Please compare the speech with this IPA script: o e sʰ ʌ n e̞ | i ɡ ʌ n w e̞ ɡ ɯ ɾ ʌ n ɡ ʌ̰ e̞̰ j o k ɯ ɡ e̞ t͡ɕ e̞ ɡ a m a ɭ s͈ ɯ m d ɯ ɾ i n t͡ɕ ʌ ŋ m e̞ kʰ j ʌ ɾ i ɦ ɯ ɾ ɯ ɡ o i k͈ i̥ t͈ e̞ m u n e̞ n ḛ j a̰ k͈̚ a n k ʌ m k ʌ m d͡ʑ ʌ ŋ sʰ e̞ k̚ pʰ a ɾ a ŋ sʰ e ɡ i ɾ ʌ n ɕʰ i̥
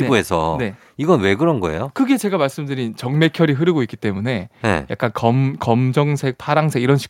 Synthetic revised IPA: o e sʰ ʌ n e̞ | i ɡ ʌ n w e̞ ɡ ɯ ɾ ʌ n ɡ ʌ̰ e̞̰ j o k ɯ ɡ e̞ t͡ɕ e̞ ɡ a m a ɭ s͈ ɯ m d ɯ ɾ i n t͡ɕ ʌ ŋ m e̞ kʰ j ʌ ɾ i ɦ ɯ ɾ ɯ ɡ o i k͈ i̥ t͈ e̞ m u n e̞ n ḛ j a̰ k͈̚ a n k ʌ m k ʌ m d͡ʑ ʌ ŋ sʰ e̞ k̚ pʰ a ɾ a ŋ sʰ e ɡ i ɾ ʌ n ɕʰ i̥